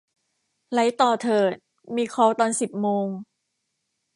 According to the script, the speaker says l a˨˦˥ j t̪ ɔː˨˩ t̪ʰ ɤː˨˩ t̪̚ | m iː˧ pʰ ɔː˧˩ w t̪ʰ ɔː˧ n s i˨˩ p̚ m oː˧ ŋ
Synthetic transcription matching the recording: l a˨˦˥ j t̪ ɔː˨˩ t̪ʰ ɤː˨˩ t̪̚ | m iː˧ kʰ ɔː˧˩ w t̪ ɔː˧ n s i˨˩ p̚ m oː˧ ŋ